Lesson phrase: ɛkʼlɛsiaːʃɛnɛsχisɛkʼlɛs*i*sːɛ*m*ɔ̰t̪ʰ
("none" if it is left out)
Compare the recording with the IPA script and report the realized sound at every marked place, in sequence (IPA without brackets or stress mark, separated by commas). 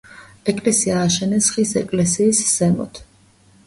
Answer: iː, m